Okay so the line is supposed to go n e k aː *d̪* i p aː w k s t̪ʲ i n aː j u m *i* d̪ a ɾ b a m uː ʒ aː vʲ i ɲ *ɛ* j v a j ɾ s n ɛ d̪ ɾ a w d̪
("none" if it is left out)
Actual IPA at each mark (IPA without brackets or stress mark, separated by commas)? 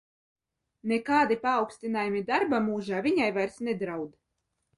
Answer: d̪, i, a